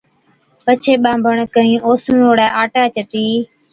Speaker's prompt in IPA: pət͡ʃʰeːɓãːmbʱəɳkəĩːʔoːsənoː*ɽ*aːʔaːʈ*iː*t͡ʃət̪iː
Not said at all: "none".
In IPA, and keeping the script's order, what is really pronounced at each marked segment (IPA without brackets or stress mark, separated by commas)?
ɽ, aː